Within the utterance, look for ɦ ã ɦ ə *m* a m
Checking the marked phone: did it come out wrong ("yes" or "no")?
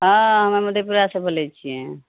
no